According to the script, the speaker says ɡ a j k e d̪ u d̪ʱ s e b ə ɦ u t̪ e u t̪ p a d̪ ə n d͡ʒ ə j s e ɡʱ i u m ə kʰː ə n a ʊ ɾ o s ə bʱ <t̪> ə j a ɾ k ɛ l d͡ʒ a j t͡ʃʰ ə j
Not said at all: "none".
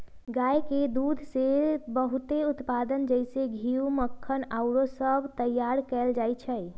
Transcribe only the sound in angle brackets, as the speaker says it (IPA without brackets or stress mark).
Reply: t̪